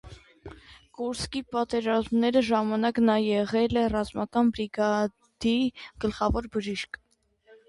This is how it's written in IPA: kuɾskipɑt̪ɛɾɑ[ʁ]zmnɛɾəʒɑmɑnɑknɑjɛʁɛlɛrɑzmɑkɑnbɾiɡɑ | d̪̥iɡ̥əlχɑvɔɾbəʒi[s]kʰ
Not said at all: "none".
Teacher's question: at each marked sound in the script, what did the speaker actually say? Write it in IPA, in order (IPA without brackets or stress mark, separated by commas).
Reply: none, ʃ